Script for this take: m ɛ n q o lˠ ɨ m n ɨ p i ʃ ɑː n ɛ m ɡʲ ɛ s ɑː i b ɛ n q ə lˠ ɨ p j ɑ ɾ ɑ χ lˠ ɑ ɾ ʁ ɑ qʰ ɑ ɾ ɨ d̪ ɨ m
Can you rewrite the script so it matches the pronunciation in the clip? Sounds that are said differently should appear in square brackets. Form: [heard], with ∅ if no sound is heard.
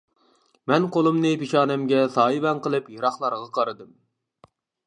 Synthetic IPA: m ɛ n q o lˠ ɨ m n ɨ p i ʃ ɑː n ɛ m ɡʲ ɛ s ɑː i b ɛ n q ə lˠ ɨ p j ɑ ɾ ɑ χ lˠ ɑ ɾ ʁ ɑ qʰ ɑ ɾ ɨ d̪ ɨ m